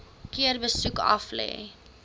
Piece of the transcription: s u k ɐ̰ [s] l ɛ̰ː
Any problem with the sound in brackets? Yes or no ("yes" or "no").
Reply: yes